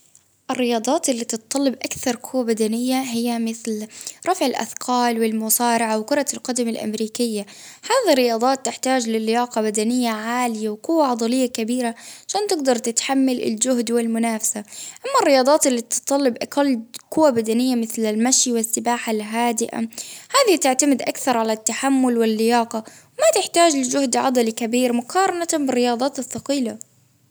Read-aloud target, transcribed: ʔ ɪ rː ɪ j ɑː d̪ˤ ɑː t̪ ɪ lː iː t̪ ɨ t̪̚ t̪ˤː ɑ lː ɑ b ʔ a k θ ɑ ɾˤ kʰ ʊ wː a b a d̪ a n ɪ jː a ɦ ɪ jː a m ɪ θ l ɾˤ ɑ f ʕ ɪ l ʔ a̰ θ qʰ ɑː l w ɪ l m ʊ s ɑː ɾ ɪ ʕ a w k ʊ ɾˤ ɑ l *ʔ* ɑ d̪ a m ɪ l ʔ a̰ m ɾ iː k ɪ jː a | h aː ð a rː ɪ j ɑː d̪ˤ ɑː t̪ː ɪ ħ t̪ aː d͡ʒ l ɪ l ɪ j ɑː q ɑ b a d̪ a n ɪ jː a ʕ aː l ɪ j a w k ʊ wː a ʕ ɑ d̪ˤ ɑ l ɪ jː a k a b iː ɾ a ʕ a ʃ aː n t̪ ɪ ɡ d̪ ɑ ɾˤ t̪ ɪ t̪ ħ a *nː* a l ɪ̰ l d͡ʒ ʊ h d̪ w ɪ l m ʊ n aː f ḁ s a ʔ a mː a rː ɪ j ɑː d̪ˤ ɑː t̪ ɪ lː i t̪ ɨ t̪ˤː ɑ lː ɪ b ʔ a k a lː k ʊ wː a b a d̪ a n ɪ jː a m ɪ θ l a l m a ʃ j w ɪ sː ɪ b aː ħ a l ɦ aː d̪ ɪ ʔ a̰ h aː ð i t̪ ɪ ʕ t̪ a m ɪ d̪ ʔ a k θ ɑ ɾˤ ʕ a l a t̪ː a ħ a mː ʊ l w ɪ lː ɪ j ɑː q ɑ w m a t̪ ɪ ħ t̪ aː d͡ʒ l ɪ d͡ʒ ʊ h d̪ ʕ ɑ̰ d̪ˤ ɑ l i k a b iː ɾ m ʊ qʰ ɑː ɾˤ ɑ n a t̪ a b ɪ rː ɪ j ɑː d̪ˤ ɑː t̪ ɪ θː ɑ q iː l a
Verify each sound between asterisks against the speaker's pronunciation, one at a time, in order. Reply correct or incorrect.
incorrect: q, incorrect: mː

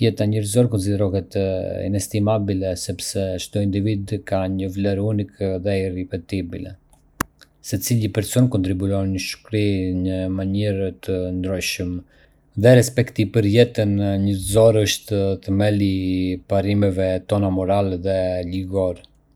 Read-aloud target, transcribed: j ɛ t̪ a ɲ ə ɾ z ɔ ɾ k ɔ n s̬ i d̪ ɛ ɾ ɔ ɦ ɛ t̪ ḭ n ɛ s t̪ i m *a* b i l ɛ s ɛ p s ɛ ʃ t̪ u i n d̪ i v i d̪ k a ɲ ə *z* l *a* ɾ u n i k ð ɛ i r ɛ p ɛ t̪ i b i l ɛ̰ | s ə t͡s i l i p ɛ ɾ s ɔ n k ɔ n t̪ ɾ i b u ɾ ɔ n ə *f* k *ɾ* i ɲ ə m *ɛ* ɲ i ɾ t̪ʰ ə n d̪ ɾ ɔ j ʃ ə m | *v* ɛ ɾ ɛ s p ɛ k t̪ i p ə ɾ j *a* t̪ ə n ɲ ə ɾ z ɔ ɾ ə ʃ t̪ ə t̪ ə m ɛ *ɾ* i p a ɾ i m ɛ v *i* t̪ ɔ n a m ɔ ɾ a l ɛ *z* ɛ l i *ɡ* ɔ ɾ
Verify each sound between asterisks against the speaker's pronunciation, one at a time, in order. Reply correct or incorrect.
correct, incorrect: v, incorrect: ɛ, incorrect: ʃ, correct, incorrect: a, incorrect: ð, incorrect: ɛ, incorrect: l, incorrect: ɛ, incorrect: ð, correct

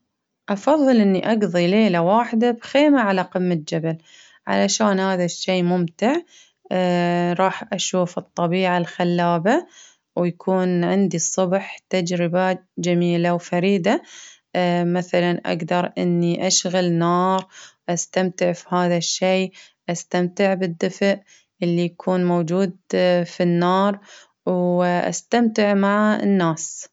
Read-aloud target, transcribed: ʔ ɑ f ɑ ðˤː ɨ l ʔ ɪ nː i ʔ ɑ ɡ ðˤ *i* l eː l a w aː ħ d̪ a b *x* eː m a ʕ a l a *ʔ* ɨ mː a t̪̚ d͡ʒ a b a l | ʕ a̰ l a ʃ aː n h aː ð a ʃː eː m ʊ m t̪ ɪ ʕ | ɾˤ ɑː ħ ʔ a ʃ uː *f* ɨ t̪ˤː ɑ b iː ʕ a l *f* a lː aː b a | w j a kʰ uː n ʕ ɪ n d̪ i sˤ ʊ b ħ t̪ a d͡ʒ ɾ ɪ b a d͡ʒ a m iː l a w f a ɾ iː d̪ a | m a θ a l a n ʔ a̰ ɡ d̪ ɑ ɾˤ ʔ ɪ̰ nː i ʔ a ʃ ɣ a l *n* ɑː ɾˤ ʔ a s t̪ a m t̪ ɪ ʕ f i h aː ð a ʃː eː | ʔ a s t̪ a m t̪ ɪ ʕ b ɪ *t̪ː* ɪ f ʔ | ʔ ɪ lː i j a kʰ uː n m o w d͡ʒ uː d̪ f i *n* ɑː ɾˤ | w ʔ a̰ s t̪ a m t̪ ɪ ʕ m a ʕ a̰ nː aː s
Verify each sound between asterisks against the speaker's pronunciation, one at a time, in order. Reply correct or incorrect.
correct, correct, incorrect: q, correct, incorrect: x, correct, incorrect: d̪ː, incorrect: nː

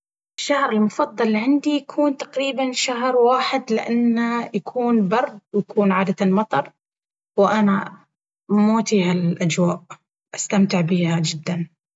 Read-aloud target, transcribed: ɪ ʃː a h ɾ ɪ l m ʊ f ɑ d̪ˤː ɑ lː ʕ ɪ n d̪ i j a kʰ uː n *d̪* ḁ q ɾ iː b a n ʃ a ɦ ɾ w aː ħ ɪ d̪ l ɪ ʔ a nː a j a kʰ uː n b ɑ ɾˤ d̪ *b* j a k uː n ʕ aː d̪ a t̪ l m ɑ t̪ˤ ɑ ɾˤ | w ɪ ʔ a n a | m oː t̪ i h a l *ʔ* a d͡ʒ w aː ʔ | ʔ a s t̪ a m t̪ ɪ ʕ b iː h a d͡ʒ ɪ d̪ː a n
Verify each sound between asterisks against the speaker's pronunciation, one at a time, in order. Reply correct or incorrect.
incorrect: t̪, incorrect: w, correct

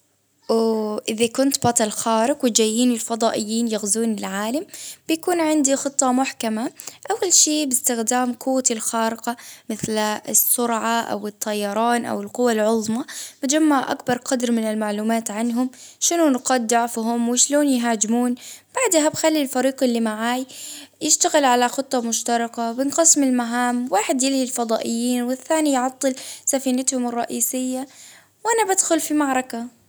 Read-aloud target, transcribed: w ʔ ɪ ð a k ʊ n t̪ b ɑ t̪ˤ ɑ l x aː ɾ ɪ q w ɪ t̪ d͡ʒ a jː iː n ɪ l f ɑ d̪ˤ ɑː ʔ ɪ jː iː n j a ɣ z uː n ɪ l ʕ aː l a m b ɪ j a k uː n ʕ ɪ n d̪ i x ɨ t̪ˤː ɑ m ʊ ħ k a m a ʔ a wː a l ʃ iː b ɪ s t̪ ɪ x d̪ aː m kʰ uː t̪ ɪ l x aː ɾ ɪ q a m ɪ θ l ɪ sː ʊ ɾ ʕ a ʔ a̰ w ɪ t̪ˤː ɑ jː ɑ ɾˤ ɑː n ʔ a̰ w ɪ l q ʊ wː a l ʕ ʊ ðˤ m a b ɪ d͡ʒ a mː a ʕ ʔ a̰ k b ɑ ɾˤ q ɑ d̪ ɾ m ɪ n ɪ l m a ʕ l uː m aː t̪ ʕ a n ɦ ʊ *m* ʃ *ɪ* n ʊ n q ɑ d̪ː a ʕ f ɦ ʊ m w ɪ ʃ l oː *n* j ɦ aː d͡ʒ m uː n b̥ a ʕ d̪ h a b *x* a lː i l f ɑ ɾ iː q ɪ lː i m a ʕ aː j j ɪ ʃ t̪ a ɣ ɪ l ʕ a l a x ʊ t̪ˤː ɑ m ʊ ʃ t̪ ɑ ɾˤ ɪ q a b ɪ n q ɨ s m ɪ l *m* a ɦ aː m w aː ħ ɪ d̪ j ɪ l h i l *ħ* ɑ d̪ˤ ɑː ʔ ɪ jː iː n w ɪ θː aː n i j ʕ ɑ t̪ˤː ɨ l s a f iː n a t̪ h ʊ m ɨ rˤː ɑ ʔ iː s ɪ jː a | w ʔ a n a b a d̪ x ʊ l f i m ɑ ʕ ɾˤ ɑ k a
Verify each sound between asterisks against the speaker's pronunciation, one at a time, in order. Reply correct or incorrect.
correct, correct, correct, correct, correct, incorrect: f

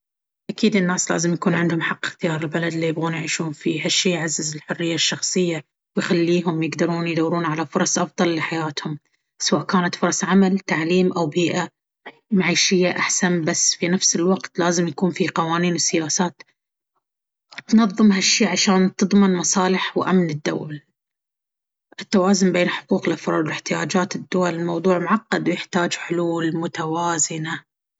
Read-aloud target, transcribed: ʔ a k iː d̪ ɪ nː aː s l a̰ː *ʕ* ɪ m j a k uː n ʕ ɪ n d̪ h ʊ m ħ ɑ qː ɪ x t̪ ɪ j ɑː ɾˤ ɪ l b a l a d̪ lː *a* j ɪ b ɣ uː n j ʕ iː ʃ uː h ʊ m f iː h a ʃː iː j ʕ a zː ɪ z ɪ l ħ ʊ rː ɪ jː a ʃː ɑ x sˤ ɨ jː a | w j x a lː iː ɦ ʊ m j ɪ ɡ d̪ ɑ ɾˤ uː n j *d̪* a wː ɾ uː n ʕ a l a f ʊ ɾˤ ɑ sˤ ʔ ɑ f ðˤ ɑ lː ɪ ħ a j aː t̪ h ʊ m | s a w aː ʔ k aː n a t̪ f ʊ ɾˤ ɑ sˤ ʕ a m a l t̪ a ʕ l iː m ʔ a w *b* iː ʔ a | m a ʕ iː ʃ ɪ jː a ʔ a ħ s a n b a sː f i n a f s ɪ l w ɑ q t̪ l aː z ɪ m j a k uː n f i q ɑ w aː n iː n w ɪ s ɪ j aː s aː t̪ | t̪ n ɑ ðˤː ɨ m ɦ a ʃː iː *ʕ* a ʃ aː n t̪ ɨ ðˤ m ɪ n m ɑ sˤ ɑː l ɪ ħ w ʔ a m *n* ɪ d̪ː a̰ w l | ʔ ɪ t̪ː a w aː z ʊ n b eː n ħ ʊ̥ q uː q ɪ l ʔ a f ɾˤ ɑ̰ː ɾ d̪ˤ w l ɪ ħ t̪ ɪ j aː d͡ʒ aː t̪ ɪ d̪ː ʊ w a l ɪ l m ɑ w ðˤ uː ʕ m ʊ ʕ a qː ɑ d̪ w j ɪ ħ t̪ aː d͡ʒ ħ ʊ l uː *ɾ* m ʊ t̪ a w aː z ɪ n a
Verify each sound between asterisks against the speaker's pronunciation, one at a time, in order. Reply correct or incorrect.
incorrect: z, incorrect: i, correct, correct, correct, correct, incorrect: l

